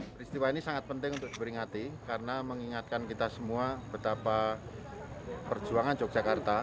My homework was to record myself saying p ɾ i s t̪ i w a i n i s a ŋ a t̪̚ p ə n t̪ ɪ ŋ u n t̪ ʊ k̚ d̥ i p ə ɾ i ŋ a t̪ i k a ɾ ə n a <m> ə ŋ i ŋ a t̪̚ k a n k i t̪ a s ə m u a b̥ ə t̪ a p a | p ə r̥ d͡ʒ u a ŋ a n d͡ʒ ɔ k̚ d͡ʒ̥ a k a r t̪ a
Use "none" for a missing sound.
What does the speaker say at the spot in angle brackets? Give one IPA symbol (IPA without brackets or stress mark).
m